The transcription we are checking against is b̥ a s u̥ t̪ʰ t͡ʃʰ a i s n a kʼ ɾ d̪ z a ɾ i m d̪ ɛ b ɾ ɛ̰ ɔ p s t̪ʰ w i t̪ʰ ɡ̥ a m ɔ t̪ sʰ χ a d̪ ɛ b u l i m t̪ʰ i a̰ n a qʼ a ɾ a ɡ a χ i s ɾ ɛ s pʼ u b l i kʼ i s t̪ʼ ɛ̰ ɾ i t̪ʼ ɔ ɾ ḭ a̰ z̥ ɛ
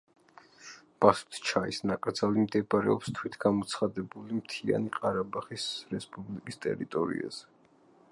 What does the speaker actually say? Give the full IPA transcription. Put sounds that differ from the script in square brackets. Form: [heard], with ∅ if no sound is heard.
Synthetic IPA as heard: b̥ a s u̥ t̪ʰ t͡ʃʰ a i s n a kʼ ɾ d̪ z a [l] i m d̪ ɛ b ɾ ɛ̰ ɔ p s t̪ʰ w i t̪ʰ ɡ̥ a m ɔ t̪ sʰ χ a d̪ ɛ b u l i m t̪ʰ i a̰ n [i] qʼ a ɾ a [b] a χ i s ɾ ɛ s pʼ u b l i kʼ i s t̪ʼ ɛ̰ ɾ i t̪ʼ ɔ ɾ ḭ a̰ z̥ ɛ